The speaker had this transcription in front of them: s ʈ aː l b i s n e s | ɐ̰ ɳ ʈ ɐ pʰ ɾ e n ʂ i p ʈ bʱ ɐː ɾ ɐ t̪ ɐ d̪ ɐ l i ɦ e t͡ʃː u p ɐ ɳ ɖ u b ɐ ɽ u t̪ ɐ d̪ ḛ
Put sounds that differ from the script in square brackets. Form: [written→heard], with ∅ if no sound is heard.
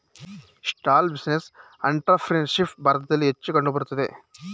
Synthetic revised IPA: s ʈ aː l b i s n e s | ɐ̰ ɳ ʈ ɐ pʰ ɾ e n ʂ i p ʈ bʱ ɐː ɾ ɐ t̪ ɐ d̪ ɐ [l→lː] i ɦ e t͡ʃː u [p→k] ɐ ɳ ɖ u b ɐ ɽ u t̪ ɐ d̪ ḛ